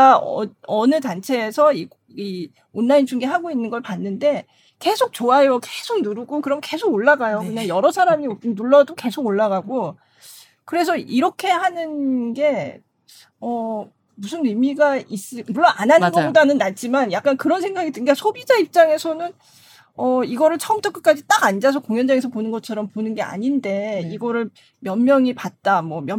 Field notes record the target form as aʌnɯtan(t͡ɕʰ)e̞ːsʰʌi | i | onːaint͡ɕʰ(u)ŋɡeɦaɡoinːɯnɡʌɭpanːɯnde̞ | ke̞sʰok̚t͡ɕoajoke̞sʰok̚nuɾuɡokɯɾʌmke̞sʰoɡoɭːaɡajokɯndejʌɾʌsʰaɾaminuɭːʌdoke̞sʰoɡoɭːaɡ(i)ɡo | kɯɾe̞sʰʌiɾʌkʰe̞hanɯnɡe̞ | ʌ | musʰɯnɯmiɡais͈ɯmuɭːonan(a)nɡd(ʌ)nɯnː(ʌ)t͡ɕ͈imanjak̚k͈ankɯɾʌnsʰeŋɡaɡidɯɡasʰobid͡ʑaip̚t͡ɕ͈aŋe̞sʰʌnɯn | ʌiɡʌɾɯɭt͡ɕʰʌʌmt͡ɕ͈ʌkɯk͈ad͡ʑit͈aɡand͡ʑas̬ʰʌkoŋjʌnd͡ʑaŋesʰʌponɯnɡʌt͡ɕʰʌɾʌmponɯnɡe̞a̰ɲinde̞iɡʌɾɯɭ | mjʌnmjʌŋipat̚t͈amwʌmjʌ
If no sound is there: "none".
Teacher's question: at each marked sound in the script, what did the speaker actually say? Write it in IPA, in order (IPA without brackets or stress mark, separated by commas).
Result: t͡ɕʰ, u, a, a, a, a